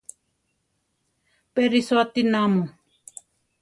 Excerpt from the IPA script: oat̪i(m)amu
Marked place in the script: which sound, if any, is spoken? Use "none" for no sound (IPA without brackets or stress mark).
n